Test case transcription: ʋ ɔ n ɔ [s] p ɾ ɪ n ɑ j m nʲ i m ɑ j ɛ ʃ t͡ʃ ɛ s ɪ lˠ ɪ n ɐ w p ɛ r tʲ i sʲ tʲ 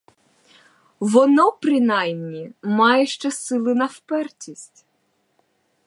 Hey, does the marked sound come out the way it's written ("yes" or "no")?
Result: no